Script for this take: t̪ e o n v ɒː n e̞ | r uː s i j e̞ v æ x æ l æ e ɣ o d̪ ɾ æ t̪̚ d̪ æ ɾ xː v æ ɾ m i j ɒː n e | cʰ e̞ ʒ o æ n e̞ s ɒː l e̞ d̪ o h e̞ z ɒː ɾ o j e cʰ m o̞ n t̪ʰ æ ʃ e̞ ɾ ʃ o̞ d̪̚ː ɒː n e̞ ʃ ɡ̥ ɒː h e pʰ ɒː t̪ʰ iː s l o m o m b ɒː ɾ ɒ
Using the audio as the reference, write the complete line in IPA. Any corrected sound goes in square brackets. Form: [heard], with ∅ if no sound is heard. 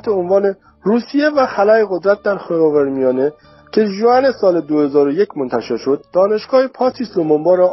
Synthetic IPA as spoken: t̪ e o n v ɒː n e̞ | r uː s i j e̞ v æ x æ l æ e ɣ o d̪ ɾ æ t̪̚ d̪ æ ɾ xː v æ ɾ m i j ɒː n e | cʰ e̞ ʒ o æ n e̞ s ɒː l e̞ d̪ o h e̞ z ɒː ɾ o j e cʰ m o̞ n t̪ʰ æ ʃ e̞ ɾ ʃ o̞ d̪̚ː ɒː n e̞ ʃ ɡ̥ ɒː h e pʰ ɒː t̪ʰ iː s l o m o m b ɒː ɾ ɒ